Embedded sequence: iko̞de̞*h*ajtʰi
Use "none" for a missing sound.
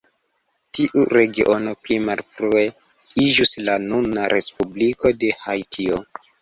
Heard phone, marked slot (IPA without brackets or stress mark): h